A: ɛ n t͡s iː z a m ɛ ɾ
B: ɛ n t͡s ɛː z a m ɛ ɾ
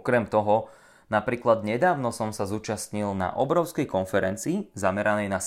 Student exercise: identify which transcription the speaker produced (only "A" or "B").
A